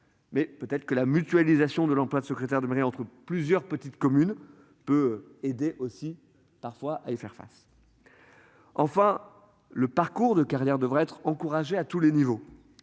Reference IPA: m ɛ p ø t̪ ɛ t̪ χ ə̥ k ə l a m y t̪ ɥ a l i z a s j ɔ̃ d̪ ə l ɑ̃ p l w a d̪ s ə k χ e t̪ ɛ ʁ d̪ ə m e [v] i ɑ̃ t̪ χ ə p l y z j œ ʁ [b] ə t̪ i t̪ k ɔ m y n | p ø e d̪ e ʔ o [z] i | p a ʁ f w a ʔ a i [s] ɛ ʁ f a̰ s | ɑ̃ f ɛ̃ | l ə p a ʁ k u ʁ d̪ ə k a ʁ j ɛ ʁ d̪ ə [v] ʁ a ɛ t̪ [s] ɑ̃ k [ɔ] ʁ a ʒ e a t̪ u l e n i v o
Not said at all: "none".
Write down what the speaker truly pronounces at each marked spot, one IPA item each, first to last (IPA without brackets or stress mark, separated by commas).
ʁ, p, s, f, v, χ, u